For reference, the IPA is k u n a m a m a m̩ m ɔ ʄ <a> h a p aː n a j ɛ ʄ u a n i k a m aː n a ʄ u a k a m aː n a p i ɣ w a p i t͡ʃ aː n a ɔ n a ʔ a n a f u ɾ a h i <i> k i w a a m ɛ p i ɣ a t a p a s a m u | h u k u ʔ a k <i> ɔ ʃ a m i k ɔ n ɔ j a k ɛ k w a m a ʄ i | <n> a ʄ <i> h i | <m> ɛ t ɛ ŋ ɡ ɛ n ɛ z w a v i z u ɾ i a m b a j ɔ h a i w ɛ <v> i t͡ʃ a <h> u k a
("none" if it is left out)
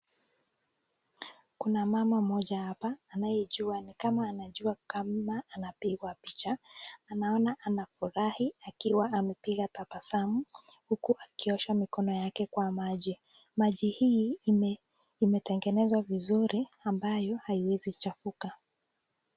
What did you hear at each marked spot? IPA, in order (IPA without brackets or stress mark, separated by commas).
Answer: a, a, i, m, i, m, z, f